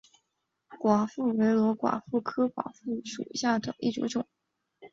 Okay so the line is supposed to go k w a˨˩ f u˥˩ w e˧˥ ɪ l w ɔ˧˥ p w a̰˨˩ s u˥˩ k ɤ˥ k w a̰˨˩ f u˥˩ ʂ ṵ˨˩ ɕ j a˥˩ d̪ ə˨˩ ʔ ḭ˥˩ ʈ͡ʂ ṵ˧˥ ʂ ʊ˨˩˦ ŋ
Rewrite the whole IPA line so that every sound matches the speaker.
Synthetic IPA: k w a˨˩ f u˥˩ w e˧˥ ɪ l w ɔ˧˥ k w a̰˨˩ f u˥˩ kʰ ɤ˥ k w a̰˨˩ f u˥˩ ʂ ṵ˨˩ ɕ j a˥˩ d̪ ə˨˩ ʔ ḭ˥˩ ʈ͡ʂ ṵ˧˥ ʈ͡ʂ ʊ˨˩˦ ŋ